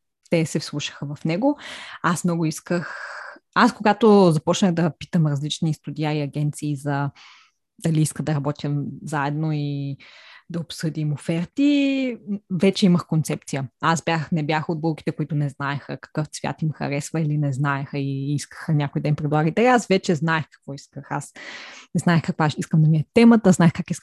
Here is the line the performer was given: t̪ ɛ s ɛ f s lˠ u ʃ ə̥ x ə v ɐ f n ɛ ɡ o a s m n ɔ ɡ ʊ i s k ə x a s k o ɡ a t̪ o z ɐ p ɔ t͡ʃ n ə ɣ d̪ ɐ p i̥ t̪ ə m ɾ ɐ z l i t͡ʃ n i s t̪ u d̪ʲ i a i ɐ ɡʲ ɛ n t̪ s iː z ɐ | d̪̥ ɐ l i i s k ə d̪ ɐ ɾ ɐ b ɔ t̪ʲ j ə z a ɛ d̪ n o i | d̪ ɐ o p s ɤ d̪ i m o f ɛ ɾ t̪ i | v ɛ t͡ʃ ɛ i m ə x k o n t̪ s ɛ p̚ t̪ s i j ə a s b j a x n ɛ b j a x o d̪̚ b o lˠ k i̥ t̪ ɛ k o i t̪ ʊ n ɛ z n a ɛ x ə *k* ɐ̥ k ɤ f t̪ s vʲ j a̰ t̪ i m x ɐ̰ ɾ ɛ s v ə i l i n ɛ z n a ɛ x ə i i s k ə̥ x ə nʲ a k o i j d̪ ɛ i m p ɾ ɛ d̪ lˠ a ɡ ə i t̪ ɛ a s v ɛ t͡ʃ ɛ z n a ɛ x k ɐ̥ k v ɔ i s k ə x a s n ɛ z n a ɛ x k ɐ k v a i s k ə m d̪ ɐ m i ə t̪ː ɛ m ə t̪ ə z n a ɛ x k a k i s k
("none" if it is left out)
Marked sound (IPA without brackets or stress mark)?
k